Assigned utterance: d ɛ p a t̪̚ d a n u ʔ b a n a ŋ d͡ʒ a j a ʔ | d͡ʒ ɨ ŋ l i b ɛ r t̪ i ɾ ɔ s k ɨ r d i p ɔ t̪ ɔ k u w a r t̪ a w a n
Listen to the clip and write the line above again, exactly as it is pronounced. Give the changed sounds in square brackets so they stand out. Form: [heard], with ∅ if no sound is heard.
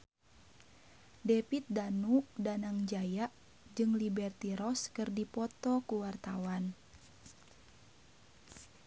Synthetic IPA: d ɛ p [i] t̪̚ d a n u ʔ [d] a n a ŋ d͡ʒ a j a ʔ | d͡ʒ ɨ ŋ l i b ɛ r t̪ i ɾ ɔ s k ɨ r d i p ɔ t̪ ɔ k u w a r t̪ a w a n